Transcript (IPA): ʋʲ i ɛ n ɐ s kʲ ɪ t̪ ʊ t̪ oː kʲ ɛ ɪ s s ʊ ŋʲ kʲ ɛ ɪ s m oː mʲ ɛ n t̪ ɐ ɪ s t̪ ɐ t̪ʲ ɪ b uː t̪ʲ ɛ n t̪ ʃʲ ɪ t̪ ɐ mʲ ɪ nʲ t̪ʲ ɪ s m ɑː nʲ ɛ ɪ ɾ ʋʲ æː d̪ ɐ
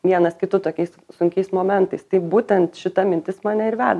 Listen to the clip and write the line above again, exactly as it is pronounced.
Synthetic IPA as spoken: ʋʲ i ɛ n ɐ s kʲ ɪ t̪ ʊ t̪ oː kʲ ɛ ɪ s s ʊ ŋʲ kʲ ɛ ɪ s m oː mʲ ɛ n t̪ ɐ ɪ s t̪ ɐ ɪ b uː t̪ʲ ɛ n t̪ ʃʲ ɪ t̪ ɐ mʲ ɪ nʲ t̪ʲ ɪ s m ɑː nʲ ɛ ɪ ɾ ʋʲ æː d̪ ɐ

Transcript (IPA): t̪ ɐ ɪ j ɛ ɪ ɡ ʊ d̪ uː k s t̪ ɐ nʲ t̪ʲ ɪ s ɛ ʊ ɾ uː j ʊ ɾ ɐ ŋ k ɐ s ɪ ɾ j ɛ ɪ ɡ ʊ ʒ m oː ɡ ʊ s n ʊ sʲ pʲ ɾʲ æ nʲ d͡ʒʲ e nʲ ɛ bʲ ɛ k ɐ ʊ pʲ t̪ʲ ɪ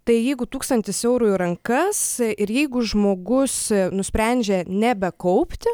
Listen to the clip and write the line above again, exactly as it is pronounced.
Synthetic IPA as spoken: t̪ ɐ ɪ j ɛ ɪ ɡ ʊ t̪ uː k s t̪ ɐ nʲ t̪ʲ ɪ s ɛ ʊ ɾ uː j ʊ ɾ ɐ ŋ k ɐ s ɪ ɾ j ɛ ɪ ɡ ʊ ʒ m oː ɡ ʊ s n ʊ sʲ pʲ ɾʲ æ nʲ d͡ʒʲ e nʲ ɛ bʲ ɛ k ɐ ʊ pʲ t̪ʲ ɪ

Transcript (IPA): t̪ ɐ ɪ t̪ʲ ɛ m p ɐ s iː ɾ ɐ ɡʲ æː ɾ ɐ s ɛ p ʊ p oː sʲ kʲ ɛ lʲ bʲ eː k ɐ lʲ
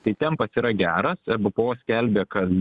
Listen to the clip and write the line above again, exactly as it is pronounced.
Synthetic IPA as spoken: t̪ ɐ ɪ t̪ʲ ɛ m p ɐ s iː ɾ ɐ ɡʲ æː ɾ ɐ s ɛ b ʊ p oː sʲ kʲ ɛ lʲ bʲ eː k ɐ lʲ

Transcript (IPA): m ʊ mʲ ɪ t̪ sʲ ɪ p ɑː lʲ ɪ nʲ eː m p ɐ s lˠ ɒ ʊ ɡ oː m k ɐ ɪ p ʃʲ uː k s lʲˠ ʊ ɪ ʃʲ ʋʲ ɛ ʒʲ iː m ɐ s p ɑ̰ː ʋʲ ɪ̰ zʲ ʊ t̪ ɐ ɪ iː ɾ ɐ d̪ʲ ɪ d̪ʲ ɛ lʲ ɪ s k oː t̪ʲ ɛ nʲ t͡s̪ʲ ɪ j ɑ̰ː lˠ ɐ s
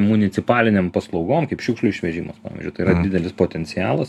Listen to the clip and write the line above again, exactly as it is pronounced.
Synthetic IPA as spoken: m ʊ nʲ ɪ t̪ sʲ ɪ p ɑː lʲ ɪ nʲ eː m p ɐ s lˠ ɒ ʊ ɡ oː m k ɐ ɪ p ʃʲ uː k ʃ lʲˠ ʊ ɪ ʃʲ ʋʲ ɛ ʒʲ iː m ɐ s p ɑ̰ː ʋʲ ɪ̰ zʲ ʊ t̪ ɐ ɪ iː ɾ ɐ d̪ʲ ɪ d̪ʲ ɛ lʲ ɪ s p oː t̪ʲ ɛ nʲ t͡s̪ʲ ɪ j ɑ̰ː lˠ ɐ s

